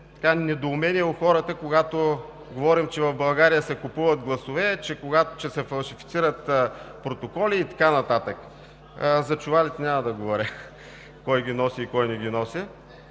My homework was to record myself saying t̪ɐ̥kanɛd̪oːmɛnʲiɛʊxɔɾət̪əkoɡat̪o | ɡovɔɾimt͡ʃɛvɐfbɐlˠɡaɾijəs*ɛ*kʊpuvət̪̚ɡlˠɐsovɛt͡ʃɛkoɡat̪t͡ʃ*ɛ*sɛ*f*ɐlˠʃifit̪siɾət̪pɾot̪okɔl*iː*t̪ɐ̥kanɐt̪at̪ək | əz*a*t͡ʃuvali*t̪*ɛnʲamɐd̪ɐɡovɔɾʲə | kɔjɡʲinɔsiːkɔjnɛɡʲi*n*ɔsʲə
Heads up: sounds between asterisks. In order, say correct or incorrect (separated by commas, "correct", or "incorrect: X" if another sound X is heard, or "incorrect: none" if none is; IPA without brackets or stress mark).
correct, correct, correct, correct, incorrect: ɐ, correct, correct